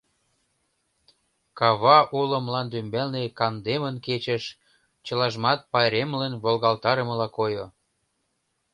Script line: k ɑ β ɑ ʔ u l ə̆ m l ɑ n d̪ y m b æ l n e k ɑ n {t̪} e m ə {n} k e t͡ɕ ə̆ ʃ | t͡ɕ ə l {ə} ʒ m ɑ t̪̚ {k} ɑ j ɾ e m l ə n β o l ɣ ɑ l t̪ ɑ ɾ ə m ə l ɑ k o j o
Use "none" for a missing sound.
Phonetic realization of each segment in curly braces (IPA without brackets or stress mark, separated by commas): d̪, n, ɑ, p